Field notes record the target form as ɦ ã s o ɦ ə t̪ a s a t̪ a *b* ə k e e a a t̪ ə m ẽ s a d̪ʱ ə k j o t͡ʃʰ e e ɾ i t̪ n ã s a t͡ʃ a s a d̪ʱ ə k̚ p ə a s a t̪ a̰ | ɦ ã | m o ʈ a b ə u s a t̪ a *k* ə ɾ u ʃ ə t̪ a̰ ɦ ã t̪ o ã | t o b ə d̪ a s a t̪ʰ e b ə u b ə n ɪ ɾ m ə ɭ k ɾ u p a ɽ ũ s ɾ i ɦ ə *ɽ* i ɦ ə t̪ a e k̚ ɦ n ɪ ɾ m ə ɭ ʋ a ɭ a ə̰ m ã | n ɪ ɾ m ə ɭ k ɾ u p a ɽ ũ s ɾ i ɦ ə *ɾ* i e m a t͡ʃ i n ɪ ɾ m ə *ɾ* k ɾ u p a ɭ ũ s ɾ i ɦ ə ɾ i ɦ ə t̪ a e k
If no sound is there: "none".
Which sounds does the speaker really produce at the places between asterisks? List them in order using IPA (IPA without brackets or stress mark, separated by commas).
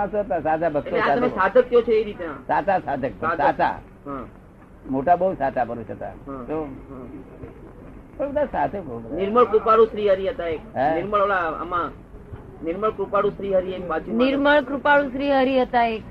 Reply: b, p, ɾ, ɾ, ɭ